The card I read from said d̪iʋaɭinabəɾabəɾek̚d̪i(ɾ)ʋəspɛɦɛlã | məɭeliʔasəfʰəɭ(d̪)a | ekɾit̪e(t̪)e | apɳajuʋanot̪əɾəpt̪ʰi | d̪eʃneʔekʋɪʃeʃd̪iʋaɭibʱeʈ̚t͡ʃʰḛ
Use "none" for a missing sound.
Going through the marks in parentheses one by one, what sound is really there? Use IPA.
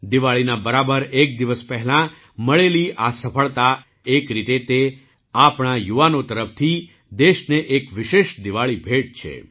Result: none, t̪, t̪

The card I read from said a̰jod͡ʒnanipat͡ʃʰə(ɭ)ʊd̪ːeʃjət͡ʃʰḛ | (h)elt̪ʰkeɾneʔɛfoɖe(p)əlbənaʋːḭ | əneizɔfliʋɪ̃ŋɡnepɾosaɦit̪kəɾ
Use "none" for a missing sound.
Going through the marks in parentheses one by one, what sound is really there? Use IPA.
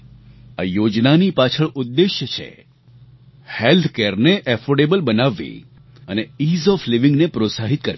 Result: ɭ, h, b

